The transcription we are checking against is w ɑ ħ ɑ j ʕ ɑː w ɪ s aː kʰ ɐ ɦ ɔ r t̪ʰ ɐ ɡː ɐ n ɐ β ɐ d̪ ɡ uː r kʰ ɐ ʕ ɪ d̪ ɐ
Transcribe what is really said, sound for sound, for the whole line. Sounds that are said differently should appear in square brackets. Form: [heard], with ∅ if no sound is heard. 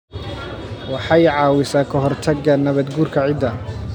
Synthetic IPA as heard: w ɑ ħ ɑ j ʕ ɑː w ɪ s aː kʰ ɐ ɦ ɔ r t̪ʰ ɐ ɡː ɐ n ɐ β ɐ d̪ ɡ uː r kʰ ɐ ʕ ɪ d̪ ɐ